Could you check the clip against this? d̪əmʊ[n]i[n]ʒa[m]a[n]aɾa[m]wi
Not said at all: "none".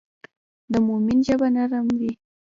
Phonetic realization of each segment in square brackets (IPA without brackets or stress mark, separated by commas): m, n, b, n, m